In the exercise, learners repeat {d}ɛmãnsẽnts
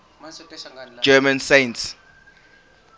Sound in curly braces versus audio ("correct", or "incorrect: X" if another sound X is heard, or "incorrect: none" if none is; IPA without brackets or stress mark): incorrect: d͡ʒ